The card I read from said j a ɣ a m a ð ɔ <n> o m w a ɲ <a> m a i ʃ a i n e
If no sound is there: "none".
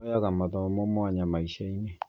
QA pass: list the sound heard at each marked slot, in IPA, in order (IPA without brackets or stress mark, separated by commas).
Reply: m, a